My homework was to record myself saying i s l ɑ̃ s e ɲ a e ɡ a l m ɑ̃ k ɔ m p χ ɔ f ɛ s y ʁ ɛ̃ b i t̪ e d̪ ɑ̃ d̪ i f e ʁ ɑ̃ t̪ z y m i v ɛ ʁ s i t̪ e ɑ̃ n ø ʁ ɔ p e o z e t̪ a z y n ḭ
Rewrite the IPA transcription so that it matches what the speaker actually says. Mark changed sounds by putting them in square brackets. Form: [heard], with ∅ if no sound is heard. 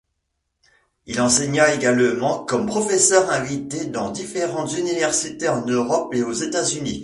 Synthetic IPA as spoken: i [∅] l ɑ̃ s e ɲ a e ɡ a l m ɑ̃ k ɔ m p χ ɔ f ɛ s [œ] ʁ ɛ̃ [v] i t̪ e d̪ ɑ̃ d̪ i f e ʁ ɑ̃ t̪ z y [n] i v ɛ ʁ s i t̪ e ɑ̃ n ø ʁ ɔ p e o z e t̪ a z y n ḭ